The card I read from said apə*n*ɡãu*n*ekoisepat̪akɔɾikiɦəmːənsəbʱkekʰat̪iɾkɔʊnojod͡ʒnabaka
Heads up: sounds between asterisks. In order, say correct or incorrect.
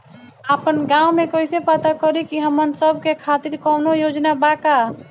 correct, incorrect: m

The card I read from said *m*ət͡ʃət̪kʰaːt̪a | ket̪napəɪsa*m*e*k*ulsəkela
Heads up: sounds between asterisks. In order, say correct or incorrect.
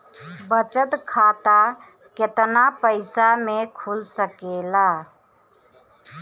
incorrect: b, correct, incorrect: kʰ

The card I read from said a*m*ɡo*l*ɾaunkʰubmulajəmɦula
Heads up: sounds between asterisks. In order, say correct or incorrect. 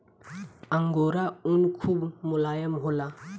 incorrect: ŋ, incorrect: none

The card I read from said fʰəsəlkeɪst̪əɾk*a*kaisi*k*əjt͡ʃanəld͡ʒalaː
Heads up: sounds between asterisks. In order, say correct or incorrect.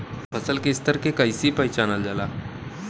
incorrect: e, incorrect: p

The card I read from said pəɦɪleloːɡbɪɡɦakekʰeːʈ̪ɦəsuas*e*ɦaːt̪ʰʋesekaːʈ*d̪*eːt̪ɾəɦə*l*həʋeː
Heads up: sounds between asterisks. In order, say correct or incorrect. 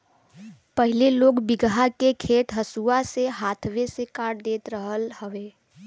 correct, correct, correct

